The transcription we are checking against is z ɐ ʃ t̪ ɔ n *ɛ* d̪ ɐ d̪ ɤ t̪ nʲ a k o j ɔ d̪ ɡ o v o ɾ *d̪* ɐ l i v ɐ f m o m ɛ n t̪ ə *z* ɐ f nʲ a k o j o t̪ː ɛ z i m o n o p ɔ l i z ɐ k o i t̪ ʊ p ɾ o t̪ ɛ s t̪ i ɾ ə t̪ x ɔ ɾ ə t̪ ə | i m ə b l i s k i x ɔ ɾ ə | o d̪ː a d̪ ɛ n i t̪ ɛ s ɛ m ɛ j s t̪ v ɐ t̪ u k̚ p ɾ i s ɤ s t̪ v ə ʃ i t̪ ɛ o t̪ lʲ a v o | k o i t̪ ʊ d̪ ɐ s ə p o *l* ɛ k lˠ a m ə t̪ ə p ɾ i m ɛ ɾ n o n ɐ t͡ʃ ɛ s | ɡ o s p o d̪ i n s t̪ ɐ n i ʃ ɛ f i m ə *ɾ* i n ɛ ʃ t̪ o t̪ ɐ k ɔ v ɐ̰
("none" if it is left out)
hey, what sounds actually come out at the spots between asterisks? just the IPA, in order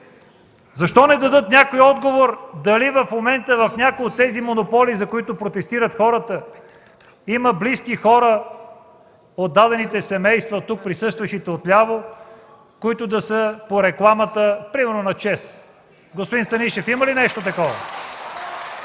ɛ, d̪, v, ɾ, l

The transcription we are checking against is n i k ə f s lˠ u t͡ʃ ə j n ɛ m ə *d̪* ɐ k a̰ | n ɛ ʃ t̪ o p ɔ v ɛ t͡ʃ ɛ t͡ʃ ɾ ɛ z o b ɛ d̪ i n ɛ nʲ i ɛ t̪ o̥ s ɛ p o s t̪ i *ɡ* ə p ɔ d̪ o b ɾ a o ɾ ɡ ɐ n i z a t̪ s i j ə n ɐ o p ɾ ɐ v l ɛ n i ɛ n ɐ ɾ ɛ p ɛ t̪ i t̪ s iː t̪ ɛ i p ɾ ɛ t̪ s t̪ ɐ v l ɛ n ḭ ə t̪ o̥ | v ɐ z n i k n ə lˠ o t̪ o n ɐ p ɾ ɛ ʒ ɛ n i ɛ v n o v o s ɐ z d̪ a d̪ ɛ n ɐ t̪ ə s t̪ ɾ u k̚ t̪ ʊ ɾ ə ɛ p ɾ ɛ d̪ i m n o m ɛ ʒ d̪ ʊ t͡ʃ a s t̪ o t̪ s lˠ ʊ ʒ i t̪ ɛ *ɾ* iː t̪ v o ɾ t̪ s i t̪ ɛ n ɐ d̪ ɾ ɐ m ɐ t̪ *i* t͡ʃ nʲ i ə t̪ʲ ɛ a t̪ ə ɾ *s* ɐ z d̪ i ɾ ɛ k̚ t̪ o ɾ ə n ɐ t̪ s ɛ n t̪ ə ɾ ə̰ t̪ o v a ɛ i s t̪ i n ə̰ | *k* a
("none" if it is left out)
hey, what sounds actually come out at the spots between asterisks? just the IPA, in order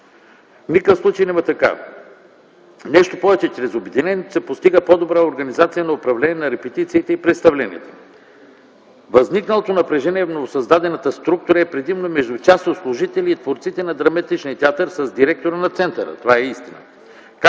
t̪, ɡ, l, i, s, k

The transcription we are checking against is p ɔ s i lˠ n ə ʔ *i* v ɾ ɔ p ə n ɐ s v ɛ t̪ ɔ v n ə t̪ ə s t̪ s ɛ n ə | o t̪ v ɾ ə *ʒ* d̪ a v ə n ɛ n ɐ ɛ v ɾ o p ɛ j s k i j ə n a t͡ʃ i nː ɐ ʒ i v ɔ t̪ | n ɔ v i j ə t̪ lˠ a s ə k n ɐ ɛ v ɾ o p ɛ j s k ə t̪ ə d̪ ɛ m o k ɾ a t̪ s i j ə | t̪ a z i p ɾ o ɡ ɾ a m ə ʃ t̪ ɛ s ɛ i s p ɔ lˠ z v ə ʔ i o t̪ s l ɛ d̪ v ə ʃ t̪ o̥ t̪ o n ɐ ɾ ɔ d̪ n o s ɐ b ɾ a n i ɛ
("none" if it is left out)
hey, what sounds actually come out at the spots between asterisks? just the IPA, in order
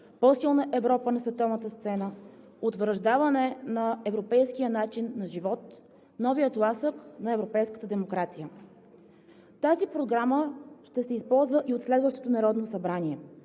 ɛ, ʒ

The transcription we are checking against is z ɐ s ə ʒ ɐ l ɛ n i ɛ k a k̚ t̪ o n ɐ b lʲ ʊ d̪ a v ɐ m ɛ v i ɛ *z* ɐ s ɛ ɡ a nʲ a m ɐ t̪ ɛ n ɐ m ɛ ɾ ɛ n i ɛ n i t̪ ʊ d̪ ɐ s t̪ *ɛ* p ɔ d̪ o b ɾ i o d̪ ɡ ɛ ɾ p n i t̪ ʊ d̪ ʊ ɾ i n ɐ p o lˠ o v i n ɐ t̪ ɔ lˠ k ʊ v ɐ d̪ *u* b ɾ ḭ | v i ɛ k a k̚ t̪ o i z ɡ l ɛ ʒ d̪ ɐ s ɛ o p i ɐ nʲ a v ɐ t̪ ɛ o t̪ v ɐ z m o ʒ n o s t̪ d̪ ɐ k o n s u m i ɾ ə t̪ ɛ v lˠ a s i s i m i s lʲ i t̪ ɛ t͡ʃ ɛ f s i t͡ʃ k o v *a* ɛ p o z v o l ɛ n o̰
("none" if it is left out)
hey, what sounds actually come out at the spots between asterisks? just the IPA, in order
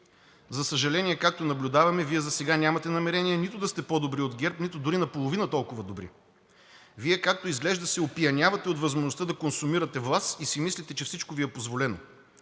z, ɛ, o, i

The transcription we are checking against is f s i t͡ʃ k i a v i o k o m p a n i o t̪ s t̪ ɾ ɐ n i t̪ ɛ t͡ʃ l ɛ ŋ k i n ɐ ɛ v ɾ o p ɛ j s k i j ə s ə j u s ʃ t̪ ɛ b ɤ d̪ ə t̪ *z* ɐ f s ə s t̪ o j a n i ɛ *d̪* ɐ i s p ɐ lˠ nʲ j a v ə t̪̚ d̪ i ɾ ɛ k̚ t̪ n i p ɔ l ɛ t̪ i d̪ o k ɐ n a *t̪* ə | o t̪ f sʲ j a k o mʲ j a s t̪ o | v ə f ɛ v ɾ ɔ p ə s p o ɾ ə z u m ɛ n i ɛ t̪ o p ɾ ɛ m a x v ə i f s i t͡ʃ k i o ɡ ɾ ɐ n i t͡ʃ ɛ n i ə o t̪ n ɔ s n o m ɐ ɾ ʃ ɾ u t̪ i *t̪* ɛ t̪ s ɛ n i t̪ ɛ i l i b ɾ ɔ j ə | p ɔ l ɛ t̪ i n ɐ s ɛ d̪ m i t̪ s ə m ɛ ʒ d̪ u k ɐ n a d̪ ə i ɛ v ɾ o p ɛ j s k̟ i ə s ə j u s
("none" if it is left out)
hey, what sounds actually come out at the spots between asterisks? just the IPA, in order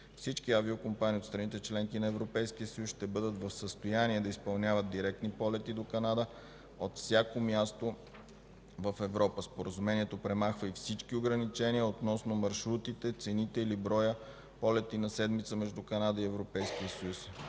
v, d̪, d̪, t̪

